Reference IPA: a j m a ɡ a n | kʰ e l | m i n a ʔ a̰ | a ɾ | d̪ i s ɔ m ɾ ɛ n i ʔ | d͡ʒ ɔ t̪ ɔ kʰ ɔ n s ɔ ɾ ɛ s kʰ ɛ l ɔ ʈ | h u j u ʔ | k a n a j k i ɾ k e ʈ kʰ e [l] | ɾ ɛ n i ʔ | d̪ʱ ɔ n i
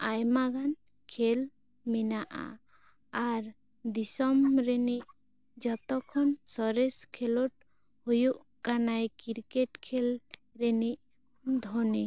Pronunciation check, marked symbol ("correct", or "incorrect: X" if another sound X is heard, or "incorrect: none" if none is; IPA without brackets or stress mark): correct